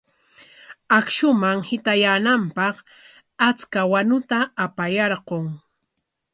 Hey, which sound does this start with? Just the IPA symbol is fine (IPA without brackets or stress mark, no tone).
a